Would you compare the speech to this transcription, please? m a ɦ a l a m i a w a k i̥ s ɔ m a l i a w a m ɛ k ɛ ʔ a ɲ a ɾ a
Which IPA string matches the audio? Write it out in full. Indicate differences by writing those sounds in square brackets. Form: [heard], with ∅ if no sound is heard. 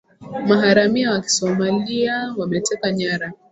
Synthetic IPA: m a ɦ a [ɾ] a m i a w a k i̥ s ɔ m a l i a w a m ɛ [t] ɛ [k] a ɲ a ɾ a